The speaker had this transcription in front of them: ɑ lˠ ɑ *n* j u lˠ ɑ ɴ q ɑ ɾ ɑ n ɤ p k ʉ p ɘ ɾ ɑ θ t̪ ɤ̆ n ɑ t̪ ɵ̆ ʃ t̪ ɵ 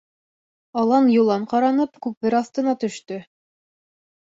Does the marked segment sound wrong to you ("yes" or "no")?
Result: no